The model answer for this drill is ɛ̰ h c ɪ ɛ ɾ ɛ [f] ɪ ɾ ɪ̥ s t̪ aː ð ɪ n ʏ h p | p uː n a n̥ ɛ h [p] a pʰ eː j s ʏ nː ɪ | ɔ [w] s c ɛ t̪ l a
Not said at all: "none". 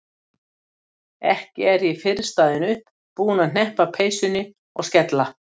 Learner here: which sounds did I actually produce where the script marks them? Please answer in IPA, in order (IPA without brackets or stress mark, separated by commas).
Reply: f, p, ɣ